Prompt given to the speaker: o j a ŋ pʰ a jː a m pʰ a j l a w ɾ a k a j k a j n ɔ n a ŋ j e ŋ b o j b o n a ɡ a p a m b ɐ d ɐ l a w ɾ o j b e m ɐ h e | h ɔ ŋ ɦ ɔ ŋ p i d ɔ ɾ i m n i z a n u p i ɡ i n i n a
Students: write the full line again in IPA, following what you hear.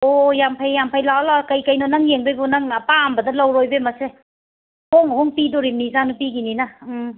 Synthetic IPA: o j a m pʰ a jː a m pʰ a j l a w l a k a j k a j n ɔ n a ŋ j e ŋ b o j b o n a ŋ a p a m b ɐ d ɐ l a w ɾ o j b e m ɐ s e | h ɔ ŋ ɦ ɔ ŋ p i d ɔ ɾ i m n i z a n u p i ɡ i n i n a

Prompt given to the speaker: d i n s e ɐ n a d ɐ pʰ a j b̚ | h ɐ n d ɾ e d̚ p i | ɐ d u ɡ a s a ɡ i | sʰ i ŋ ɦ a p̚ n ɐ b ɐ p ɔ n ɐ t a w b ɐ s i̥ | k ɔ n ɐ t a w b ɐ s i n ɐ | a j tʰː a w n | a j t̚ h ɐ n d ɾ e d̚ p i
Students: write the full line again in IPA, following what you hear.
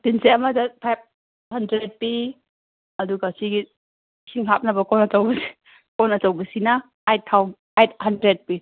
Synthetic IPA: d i n s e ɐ m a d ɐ pʰ a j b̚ | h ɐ n d ɾ e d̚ p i | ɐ d u ɡ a s i ɡ i | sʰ i ŋ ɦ a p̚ n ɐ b ɐ k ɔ n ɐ t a w b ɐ s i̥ | k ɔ n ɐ t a w b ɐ s i n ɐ | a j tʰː a w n | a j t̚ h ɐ n d ɾ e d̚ p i

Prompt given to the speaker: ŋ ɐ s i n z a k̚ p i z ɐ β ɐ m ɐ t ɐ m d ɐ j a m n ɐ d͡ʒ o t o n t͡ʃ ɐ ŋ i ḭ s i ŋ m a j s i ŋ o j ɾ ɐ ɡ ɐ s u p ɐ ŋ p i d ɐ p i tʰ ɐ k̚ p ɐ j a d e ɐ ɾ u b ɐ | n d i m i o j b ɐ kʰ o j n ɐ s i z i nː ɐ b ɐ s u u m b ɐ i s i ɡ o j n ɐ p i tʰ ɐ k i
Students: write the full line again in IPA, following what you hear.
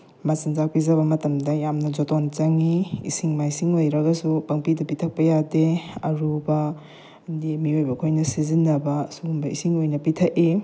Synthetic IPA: m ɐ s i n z a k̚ p i z ɐ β ɐ m ɐ t ɐ m d ɐ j a m n ɐ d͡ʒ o t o n t͡ʃ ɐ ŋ i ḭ s i ŋ m a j s i ŋ o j ɾ ɐ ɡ ɐ s u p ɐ ŋ p i d ɐ p i tʰ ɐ k̚ p ɐ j a d e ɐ ɾ u b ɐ | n d i m i o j b ɐ kʰ o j n ɐ s i z i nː ɐ b ɐ s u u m b ɐ i s i ŋ o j n ɐ p i tʰ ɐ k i

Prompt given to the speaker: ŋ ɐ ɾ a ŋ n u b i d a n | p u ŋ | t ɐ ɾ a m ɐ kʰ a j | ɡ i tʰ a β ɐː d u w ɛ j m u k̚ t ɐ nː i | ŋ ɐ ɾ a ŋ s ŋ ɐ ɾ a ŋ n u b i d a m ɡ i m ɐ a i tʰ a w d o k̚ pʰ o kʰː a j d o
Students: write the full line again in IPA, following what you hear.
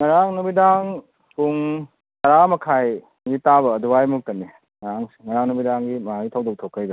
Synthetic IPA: ŋ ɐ ɾ a ŋ n u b i d a ŋ | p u ŋ | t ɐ ɾ a m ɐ kʰ a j | ɡ i t a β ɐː d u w a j m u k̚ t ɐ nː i | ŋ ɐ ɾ a ŋ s ŋ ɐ ɾ a ŋ n u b i d a ŋ ɡ i m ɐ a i tʰ a w d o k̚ tʰ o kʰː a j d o

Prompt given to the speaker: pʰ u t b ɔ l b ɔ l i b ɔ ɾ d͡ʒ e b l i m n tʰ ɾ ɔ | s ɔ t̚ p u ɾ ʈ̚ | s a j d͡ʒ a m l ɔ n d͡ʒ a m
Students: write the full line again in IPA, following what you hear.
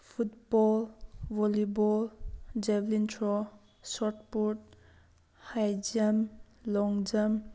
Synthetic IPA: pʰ u t b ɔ l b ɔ l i b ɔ l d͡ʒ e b l i n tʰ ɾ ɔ | s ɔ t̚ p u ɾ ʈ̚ | h a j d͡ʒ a m l ɔ ŋ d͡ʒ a m

